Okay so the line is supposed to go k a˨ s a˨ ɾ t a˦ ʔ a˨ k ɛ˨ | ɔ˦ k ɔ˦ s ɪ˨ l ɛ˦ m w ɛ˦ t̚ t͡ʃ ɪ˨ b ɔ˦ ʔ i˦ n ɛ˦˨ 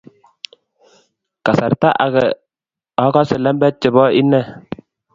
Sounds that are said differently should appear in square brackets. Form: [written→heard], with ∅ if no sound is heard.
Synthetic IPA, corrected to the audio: k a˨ s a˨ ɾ t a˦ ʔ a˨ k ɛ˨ | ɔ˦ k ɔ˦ s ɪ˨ l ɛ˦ m [w→b] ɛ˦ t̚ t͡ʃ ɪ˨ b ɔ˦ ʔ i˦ n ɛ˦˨